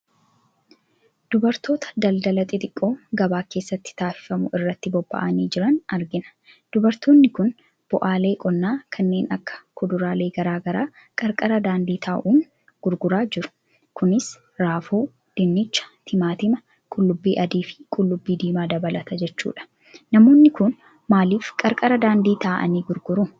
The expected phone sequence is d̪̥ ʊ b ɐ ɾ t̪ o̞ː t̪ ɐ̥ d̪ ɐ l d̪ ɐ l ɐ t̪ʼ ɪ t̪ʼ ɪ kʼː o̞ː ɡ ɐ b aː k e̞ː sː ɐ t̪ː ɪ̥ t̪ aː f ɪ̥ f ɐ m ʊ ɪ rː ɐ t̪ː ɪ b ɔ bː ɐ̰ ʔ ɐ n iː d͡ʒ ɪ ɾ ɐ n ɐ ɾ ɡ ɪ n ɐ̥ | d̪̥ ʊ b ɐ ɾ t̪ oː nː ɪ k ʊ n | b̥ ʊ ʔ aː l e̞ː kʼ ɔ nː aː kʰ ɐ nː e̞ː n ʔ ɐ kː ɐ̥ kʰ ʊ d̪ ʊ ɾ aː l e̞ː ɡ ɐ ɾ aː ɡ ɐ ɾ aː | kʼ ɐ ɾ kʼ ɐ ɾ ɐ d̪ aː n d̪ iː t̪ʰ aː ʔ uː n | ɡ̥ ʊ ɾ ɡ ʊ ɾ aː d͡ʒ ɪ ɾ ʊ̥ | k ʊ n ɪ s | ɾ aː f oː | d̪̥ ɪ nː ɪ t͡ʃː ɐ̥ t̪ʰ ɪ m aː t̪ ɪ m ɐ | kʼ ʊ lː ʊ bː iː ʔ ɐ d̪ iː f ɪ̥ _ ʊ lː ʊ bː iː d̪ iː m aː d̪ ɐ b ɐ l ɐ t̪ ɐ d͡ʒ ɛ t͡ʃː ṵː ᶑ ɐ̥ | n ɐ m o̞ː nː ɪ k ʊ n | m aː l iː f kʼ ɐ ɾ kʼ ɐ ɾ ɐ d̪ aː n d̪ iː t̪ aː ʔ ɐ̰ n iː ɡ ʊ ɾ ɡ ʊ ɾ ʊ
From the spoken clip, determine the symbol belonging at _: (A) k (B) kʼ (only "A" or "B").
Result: B